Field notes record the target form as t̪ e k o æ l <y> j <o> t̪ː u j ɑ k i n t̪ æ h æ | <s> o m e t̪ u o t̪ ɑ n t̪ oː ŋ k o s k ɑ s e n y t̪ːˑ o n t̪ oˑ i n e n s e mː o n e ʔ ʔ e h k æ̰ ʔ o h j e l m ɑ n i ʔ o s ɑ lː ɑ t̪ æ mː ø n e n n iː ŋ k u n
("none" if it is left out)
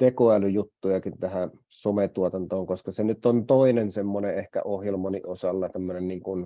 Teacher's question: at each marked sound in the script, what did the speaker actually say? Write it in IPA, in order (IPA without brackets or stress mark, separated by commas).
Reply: y, u, s